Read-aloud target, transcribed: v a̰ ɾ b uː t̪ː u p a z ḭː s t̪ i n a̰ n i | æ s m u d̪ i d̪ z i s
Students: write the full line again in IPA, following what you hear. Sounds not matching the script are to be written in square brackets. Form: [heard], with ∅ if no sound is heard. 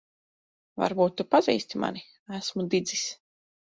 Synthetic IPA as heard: v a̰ ɾ b uː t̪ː u p a z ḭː s t̪ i [m] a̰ n i | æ s m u d̪ i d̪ z i s